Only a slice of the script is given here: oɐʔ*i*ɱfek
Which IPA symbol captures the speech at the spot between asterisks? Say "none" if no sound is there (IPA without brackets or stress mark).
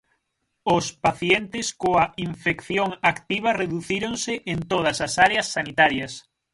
i